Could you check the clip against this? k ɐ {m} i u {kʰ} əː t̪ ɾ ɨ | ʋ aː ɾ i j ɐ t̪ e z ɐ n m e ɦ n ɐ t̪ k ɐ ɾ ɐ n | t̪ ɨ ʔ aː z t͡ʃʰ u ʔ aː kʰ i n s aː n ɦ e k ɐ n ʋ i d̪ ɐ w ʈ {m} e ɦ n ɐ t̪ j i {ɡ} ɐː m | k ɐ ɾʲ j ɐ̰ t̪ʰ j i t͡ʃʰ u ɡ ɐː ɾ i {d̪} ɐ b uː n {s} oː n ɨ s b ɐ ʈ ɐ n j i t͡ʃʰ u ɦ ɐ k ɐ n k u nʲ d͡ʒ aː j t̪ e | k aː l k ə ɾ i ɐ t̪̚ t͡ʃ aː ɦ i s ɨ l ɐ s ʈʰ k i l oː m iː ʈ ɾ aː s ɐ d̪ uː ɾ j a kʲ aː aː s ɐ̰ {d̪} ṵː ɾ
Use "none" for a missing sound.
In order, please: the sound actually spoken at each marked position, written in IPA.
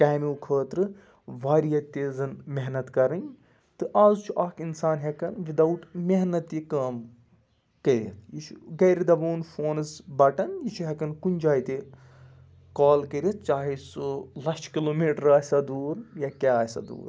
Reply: m, kʰ, m, k, d̪, f, d̪

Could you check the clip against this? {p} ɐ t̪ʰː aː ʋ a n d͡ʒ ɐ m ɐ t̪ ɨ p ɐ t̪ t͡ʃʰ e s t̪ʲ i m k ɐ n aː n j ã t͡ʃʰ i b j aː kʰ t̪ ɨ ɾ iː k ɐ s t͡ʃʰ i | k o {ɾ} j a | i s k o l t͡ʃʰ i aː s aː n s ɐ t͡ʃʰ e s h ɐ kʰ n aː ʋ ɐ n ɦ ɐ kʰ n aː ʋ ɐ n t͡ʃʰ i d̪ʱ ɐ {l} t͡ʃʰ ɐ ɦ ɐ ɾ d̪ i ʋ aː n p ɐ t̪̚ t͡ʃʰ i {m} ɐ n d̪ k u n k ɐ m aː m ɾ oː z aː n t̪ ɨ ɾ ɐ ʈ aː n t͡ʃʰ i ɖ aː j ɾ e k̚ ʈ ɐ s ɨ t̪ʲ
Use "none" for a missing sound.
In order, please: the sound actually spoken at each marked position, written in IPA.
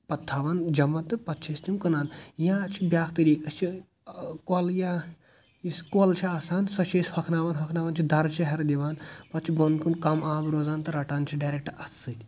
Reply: p, l, ɾ, b

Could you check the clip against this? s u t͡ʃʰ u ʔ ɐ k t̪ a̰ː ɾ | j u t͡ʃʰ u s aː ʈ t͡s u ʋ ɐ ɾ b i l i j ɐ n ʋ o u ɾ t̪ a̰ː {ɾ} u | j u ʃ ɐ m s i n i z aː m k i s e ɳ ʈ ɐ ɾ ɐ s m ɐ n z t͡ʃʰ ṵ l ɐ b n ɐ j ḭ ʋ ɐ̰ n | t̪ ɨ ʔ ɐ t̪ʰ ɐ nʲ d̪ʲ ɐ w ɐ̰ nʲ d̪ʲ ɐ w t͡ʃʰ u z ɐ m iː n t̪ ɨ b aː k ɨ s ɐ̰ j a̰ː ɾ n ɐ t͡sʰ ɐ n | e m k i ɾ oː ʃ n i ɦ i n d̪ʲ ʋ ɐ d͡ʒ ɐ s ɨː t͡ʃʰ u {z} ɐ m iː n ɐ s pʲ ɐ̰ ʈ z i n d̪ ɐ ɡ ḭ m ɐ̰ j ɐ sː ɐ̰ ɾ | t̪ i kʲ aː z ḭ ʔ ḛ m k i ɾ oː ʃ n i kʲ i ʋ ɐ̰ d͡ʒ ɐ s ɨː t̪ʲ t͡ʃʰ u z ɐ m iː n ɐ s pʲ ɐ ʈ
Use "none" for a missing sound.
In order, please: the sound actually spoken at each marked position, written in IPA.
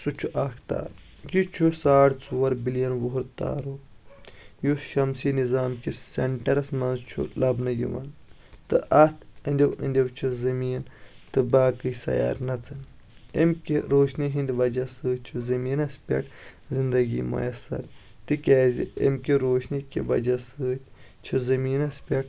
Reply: ɾ, z

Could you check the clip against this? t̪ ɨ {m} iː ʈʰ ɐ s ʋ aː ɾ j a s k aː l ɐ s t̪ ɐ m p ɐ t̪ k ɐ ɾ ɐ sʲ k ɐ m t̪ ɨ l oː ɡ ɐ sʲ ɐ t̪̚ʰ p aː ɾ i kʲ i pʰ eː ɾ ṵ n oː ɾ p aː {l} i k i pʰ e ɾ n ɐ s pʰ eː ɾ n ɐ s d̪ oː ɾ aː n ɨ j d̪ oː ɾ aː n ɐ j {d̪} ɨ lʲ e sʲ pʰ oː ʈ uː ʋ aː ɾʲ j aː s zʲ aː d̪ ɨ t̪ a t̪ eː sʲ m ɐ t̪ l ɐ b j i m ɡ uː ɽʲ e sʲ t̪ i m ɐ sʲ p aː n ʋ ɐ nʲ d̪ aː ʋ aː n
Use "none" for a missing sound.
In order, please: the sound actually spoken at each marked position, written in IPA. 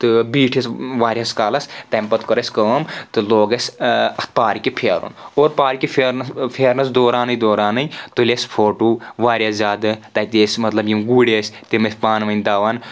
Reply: b, ɾ, t̪

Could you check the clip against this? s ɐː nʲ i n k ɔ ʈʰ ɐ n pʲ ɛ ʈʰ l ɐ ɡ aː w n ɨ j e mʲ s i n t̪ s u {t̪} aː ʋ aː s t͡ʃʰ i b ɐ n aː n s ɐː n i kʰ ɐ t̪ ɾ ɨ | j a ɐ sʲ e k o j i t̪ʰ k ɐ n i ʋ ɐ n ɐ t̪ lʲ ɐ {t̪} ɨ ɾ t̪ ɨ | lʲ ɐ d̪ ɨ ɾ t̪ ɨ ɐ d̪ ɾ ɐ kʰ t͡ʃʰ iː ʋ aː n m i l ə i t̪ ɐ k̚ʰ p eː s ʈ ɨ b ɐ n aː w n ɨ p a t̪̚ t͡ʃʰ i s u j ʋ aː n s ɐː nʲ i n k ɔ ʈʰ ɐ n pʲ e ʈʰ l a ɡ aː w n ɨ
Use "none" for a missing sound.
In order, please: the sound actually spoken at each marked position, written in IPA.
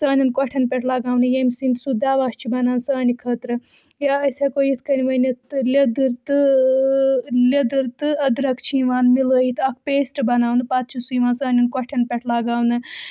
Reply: d̪, d̪

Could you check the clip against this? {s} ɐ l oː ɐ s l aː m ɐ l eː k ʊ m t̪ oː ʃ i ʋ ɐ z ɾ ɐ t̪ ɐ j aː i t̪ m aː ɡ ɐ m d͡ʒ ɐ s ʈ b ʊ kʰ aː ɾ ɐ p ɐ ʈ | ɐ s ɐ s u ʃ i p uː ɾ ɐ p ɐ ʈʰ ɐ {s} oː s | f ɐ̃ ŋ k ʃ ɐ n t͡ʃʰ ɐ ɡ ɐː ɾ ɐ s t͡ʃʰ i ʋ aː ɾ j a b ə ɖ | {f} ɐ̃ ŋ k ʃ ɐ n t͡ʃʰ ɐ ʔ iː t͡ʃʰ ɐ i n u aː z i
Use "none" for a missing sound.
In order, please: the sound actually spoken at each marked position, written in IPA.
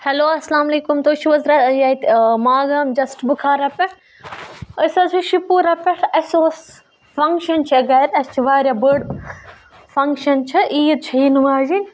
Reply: h, s, f

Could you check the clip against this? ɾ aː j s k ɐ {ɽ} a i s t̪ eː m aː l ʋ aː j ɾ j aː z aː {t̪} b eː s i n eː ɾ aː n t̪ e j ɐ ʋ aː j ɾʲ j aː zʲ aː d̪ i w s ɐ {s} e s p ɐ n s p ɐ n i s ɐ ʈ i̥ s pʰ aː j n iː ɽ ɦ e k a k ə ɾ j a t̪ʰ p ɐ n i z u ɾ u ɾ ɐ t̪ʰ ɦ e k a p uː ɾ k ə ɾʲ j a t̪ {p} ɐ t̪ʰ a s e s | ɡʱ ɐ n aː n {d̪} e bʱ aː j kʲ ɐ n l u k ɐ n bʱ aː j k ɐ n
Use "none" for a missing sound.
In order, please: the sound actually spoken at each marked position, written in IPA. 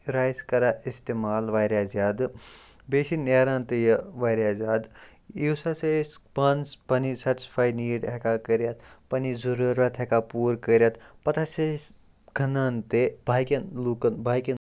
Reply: ɾ, d̪, s, p, t̪

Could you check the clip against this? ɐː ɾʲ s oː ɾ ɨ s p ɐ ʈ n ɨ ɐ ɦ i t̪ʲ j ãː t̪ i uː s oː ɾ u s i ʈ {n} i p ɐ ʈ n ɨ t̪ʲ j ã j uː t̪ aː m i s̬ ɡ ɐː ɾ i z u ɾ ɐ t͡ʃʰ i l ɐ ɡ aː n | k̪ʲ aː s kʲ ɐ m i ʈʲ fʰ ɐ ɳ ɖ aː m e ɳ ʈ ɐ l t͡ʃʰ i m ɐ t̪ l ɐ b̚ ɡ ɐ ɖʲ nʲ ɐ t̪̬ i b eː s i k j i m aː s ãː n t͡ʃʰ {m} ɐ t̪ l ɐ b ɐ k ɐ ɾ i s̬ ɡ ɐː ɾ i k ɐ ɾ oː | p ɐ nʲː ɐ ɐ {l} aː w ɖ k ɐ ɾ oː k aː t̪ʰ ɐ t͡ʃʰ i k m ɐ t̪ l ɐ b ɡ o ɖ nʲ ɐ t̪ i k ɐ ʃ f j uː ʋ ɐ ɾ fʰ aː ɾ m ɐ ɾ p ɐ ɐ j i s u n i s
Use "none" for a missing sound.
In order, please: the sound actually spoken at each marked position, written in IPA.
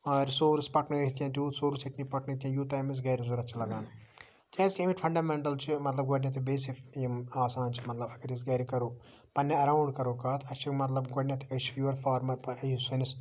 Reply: n, m, ɾ

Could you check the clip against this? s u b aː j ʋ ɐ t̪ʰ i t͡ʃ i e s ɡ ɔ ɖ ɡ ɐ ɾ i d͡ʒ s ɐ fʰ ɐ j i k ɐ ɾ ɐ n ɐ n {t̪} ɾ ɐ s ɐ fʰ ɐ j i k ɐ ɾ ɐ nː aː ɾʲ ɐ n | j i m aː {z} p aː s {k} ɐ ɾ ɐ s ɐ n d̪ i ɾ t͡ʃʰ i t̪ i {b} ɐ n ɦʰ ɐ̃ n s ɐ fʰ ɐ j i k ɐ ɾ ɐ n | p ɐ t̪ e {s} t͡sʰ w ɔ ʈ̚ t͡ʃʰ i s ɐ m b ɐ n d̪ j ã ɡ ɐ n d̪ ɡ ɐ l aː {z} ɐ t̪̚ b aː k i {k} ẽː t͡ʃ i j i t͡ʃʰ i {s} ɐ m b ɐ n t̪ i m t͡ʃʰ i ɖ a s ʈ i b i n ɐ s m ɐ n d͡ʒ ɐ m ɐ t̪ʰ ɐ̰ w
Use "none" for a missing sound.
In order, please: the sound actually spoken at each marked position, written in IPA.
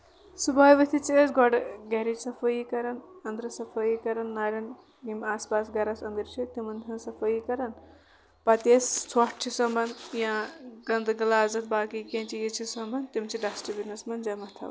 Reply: d̪, s, ɡ, m, s, z, k, s

